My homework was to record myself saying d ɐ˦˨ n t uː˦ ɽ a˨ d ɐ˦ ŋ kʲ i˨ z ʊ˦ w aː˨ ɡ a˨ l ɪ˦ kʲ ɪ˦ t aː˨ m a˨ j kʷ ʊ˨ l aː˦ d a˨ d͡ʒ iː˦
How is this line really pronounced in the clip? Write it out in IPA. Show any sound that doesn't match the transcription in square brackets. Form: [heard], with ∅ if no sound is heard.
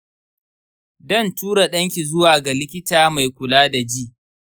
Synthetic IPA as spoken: d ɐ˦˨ n t uː˦ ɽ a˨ [ɗ] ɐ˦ ŋ kʲ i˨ z ʊ˦ w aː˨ ɡ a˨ l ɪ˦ kʲ ɪ˦ t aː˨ m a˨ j kʷ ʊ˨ l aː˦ d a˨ d͡ʒ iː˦